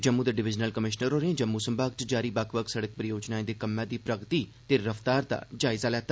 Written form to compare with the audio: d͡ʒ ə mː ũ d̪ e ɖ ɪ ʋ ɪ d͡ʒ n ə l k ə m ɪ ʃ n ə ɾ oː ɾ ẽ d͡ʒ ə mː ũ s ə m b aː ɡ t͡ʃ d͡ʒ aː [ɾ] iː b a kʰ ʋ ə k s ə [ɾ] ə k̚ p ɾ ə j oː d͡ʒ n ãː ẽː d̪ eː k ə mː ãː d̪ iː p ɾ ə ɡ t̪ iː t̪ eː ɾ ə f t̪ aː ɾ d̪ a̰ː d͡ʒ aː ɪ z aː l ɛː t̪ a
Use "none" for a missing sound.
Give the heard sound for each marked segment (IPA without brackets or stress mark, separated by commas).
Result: ɾ, ɽ